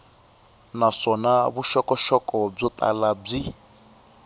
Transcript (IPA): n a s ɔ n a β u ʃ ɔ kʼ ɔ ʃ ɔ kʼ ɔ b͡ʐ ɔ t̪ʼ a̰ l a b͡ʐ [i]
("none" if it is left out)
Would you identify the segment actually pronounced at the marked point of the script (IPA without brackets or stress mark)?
i